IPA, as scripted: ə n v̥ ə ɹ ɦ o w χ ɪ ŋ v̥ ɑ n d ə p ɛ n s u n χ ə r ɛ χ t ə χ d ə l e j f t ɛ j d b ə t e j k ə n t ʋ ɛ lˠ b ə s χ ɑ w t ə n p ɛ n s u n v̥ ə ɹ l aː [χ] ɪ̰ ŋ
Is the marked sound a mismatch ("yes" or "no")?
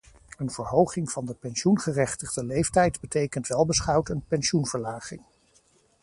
no